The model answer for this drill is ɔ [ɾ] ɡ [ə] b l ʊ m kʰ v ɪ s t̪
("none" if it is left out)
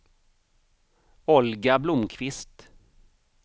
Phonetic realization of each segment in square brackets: l, a

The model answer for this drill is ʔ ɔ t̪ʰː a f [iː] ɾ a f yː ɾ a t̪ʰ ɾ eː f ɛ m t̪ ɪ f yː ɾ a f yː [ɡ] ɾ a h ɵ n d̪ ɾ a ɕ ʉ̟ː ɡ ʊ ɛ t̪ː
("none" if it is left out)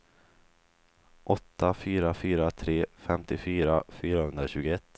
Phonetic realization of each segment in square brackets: yː, none

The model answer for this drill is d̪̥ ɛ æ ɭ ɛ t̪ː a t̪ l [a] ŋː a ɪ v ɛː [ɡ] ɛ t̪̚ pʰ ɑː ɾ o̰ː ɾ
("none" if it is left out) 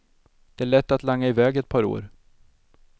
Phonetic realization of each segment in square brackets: a, ɡ

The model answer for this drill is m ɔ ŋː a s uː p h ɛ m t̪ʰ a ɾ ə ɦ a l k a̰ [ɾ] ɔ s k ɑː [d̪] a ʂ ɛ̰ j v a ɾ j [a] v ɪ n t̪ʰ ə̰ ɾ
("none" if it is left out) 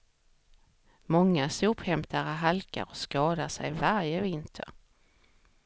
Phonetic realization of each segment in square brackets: ɾ, d̪, ə

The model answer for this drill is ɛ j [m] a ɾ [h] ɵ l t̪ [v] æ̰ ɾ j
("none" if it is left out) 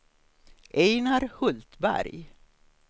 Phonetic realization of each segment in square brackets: n, h, b

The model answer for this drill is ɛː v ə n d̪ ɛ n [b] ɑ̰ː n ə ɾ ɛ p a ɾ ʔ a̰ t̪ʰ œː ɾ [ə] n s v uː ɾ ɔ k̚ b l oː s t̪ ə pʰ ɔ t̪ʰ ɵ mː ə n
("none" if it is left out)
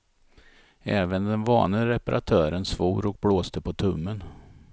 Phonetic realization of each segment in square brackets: v, ə

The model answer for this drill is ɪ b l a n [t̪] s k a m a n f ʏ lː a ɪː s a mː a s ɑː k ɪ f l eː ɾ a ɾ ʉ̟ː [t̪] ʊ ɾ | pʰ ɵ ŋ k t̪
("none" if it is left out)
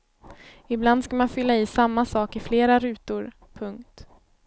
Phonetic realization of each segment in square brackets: d̪, t̪

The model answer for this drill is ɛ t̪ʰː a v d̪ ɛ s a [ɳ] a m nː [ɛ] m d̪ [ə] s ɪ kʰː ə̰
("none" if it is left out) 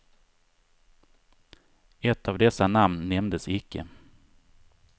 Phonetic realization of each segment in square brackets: n, ɛ, ə

